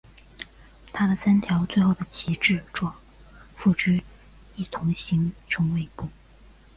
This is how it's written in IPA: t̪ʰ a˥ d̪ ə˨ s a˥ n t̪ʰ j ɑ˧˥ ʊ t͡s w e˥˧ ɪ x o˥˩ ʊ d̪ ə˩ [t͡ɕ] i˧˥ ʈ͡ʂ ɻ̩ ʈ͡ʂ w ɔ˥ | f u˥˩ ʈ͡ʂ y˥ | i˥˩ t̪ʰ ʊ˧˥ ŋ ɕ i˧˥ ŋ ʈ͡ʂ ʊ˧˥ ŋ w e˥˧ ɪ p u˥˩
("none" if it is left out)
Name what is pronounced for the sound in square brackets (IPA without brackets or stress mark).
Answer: t͡ɕʰ